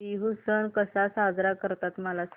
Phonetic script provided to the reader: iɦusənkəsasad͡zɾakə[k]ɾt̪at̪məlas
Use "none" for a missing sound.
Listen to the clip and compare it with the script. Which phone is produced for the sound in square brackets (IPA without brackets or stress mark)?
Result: none